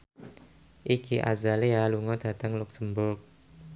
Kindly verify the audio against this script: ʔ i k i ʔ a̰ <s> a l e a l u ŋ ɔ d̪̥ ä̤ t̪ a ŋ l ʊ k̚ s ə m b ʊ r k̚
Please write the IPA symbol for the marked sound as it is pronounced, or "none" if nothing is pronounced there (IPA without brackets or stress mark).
z